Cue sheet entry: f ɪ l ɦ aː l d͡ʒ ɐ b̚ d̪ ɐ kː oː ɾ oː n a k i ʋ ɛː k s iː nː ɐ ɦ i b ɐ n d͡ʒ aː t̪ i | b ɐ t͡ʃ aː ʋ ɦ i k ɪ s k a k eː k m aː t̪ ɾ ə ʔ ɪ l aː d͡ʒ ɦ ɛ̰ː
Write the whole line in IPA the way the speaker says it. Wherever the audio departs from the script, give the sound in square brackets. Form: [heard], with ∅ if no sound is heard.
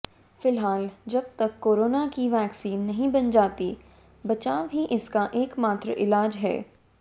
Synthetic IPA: f ɪ l ɦ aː l d͡ʒ ɐ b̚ [t̪] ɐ kː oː ɾ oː n a k i ʋ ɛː k s iː nː ɐ ɦ [ĩ] b ɐ n d͡ʒ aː t̪ i | b ɐ t͡ʃ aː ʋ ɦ i [ʔ] ɪ s k a [ʔ] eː k m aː t̪ ɾ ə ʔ ɪ l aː d͡ʒ ɦ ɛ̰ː